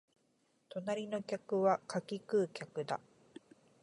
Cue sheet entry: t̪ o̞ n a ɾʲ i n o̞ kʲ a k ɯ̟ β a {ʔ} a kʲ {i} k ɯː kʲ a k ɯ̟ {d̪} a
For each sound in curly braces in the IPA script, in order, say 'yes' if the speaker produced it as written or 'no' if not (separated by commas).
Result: no, yes, yes